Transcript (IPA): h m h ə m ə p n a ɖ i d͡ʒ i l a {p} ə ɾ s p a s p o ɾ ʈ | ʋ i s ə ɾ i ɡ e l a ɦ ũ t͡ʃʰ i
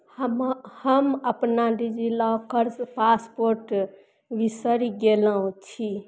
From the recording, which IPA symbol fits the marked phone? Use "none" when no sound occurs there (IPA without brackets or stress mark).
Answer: k